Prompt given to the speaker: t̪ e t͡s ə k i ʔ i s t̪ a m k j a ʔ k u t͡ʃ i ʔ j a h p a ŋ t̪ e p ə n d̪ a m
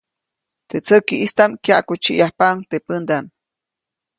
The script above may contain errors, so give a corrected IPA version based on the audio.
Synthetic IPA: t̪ e t͡s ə k i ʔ i s t̪ a m k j a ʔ k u t͡ʃ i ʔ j a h p a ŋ t̪ e p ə n d̪ a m